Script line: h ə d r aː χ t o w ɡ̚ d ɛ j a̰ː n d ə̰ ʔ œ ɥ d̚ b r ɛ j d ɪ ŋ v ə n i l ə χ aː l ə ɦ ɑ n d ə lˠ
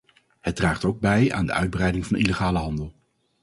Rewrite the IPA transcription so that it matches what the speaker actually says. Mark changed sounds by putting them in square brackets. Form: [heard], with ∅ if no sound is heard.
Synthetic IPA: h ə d r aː χ t o w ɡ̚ [b] ɛ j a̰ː n d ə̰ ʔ œ ɥ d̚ b r ɛ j d ɪ ŋ v [ɑ] n i l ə χ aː l ə ɦ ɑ n d ə lˠ